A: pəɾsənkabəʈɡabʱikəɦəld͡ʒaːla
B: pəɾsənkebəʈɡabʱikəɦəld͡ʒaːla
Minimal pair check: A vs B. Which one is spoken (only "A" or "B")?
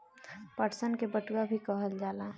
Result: B